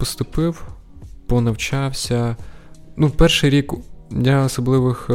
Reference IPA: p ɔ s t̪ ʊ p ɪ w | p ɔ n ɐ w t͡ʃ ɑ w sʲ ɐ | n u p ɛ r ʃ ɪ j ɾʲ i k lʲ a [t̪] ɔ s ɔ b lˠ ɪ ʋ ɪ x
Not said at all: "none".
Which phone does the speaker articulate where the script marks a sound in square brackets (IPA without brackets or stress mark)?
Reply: none